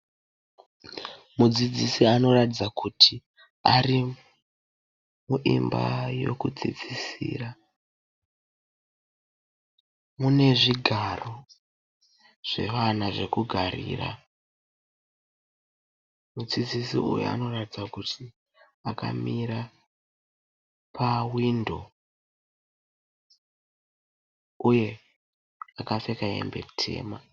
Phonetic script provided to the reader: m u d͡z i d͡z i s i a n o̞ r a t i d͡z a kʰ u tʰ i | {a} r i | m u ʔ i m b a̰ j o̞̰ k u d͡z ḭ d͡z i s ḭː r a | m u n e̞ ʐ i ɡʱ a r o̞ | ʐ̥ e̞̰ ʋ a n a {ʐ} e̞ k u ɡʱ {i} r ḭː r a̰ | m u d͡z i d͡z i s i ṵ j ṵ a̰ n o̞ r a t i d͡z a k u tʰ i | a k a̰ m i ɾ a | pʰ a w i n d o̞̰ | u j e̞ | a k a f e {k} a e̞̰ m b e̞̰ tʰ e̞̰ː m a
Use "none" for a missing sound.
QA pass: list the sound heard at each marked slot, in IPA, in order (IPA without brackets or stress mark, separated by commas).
a, ʐ, a, k